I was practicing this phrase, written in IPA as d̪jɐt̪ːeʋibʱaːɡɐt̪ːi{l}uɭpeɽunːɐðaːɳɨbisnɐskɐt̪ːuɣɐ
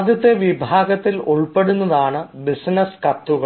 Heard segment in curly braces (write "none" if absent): l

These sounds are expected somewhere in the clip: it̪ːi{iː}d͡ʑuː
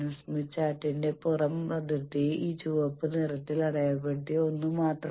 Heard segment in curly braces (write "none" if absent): iː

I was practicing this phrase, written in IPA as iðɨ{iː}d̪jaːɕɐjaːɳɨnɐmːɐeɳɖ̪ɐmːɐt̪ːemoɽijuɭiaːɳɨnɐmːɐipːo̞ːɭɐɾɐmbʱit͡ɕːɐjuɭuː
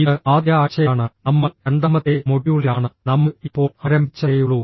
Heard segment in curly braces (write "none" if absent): aː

